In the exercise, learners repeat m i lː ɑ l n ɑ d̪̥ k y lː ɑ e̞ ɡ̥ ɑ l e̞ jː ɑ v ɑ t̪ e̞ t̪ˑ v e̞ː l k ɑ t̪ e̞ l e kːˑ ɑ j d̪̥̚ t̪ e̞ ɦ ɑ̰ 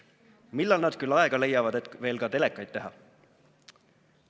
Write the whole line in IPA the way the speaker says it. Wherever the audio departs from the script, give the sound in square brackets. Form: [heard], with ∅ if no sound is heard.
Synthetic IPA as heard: m i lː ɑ l n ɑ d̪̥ k y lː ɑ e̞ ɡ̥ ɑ l e̞ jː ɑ v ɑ [d̪] e̞ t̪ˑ v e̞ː l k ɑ t̪ e̞ l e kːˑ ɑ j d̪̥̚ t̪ e̞ ɦ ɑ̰